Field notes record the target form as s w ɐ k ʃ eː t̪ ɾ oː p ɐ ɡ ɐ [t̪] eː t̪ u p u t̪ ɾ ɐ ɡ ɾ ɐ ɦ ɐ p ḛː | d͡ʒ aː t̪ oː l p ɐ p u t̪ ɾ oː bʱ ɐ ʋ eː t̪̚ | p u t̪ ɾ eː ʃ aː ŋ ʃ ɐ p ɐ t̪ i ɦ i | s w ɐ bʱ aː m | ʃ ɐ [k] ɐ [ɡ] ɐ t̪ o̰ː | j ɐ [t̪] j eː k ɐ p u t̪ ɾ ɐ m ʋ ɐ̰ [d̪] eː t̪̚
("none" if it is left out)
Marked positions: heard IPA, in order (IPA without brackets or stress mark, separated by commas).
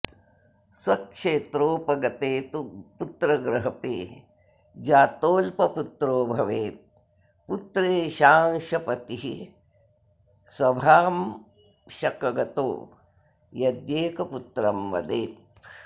t̪, k, ɡ, d̪, d̪